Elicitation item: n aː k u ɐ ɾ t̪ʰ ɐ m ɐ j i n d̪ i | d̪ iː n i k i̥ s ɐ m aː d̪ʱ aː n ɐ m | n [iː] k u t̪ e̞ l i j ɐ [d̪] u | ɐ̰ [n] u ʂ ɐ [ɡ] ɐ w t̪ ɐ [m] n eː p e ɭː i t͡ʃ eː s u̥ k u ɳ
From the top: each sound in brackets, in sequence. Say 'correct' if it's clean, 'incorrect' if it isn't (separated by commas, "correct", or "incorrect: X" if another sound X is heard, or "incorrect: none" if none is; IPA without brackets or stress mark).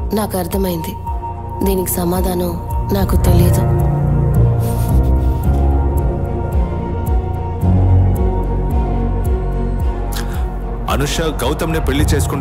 incorrect: aː, correct, correct, correct, correct